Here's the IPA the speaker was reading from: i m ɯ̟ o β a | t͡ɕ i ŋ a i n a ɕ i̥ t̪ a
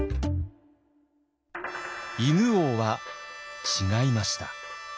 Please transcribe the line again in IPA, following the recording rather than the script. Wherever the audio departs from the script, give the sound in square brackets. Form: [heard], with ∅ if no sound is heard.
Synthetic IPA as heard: i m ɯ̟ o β a | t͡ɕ i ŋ a i [m] a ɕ i̥ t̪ a

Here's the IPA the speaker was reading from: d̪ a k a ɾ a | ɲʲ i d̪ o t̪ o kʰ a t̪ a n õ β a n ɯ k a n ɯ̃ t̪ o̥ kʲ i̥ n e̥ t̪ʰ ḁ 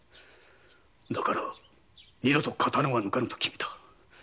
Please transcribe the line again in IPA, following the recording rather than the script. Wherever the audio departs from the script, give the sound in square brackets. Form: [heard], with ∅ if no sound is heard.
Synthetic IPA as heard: d̪ a k a ɾ a | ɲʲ i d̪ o t̪ o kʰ a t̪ a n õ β a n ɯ k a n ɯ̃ t̪ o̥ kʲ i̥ [m] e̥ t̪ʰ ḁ

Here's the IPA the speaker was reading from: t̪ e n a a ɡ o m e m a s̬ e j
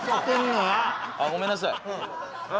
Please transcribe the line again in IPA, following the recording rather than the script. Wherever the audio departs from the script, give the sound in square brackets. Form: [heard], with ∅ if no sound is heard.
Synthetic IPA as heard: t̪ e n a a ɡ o m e [n] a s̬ [a] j

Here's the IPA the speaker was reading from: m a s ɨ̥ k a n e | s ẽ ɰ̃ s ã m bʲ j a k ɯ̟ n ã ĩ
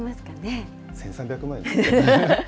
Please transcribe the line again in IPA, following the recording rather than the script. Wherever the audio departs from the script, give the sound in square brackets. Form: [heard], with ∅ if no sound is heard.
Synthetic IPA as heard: m a s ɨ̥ k a n e | s ẽ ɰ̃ s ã m bʲ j a k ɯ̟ [m] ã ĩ

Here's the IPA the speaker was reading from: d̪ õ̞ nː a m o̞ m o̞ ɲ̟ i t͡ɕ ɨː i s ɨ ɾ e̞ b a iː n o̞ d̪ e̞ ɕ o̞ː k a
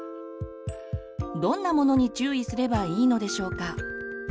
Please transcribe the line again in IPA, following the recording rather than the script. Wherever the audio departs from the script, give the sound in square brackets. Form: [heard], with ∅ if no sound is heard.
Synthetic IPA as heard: d̪ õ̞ nː a m o̞ [n] o̞ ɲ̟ i t͡ɕ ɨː i s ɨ ɾ e̞ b a iː n o̞ d̪ e̞ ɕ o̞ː k a

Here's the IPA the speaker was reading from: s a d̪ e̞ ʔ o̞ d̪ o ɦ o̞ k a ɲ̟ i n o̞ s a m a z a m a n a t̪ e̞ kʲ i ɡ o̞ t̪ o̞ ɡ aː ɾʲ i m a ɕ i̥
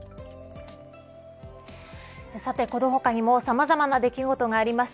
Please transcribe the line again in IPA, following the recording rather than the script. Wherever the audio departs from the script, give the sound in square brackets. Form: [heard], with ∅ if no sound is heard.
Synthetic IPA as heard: s a [t̪] e̞ [k] o̞ d̪ o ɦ o̞ k a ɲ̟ i [m] o̞ s a m a z a m a n a [d̪] e̞ kʲ i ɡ o̞ t̪ o̞ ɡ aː ɾʲ i m a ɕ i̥

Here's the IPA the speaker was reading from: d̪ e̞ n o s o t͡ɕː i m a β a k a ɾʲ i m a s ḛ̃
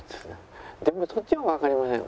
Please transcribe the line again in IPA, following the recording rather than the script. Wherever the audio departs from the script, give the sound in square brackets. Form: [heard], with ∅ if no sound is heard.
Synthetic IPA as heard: d̪ e̞ [m] o s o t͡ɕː i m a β a k a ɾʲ i m a s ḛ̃

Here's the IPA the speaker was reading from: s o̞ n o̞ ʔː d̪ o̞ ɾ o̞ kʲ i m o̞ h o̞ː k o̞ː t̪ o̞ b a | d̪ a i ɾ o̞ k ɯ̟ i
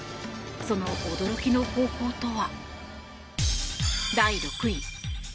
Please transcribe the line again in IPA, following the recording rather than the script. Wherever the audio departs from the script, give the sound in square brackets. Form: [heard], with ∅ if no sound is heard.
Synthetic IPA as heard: s o̞ n o̞ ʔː d̪ o̞ ɾ o̞ kʲ i [n] o̞ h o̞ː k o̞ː t̪ o̞ [β] a | d̪ a i ɾ o̞ k ɯ̟ i

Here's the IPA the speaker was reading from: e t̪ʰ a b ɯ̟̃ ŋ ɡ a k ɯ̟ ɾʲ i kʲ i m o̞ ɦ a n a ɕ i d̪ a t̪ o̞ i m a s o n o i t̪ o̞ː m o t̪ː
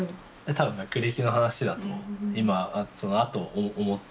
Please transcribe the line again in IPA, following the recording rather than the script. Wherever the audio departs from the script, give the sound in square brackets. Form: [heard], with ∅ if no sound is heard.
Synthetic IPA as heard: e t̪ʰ a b ɯ̟̃ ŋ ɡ a k ɯ̟ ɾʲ i kʲ i [n] o̞ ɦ a n a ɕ i d̪ a t̪ o̞ i m a s o n o [a] t̪ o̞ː m o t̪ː

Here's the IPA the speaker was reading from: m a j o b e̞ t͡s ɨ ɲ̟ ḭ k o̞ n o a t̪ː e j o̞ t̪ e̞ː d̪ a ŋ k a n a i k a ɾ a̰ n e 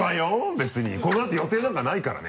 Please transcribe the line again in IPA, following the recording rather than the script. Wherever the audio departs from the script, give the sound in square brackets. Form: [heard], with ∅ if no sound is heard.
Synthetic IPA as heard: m a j o b e̞ t͡s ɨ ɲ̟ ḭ k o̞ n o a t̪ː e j o̞ t̪ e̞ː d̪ a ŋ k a n a i k a ɾ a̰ n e

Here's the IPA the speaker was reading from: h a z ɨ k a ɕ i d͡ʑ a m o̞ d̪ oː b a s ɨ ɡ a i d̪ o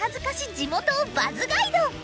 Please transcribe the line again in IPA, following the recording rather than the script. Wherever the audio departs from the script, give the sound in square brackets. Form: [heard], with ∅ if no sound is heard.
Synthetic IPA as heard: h a z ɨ k a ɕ i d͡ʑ [i] m o̞ [t̪] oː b a [z] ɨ ɡ a i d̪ o

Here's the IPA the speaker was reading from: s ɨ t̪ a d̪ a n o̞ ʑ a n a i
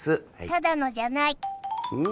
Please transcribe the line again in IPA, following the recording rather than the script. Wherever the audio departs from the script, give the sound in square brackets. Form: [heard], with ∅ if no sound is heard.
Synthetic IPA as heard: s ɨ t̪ a d̪ a n o̞ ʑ a n a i

